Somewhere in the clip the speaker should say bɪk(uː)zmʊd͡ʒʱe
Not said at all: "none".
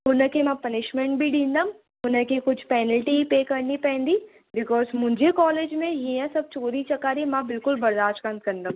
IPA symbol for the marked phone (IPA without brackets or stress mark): ɔː